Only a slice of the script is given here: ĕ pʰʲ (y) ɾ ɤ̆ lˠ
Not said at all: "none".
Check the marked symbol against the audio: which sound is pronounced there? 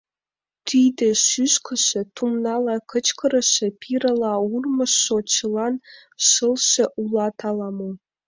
i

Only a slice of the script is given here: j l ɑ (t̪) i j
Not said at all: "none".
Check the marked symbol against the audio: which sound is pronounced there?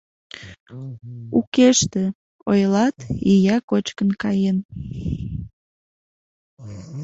t̪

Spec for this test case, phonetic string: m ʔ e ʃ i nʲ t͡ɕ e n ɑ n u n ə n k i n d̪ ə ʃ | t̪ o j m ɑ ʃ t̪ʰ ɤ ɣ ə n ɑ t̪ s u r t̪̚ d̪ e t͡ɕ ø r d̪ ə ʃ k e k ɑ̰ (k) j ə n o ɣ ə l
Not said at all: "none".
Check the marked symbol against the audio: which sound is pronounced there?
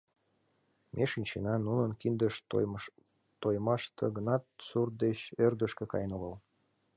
none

